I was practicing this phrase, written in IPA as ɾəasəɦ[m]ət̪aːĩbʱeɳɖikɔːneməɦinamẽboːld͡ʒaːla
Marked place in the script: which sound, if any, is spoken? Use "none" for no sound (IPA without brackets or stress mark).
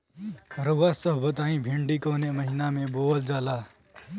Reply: b